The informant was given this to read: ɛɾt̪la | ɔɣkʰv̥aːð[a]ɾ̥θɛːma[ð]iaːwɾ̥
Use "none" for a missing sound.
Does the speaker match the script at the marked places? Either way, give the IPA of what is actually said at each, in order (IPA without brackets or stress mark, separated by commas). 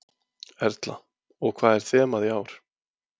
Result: ɛ, ð